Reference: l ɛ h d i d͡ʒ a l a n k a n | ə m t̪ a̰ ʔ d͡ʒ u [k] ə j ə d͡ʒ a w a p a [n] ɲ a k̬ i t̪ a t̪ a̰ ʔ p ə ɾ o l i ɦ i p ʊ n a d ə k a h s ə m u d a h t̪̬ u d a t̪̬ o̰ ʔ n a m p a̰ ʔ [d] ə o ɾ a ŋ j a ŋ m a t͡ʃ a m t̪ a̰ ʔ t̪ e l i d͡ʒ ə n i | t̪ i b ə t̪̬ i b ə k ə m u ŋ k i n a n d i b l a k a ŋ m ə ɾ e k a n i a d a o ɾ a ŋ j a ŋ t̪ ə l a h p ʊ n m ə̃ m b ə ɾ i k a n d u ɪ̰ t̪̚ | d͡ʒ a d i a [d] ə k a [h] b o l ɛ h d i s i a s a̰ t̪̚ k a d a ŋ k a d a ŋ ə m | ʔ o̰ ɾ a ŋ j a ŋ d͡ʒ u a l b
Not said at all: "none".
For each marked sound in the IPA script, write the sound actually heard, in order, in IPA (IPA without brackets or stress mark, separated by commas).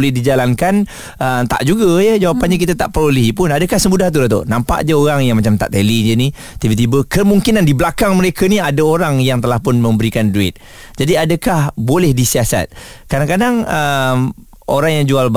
ɡ, n, d͡ʒ, d, h